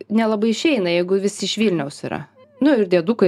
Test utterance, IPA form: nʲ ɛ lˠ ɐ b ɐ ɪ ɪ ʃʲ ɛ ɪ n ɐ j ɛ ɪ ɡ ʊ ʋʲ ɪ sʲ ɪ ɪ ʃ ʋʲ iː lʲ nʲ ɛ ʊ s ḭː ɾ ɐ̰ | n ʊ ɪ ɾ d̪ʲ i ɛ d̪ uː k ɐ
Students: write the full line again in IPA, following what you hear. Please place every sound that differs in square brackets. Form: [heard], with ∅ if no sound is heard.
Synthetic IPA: nʲ ɛ lˠ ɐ b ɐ ɪ ɪ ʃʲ ɛ ɪ n ɐ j ɛ ɪ ɡ ʊ ʋʲ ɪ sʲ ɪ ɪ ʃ ʋʲ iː lʲ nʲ ɛ ʊ s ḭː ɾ ɐ̰ | n ʊ ɪ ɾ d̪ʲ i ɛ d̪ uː k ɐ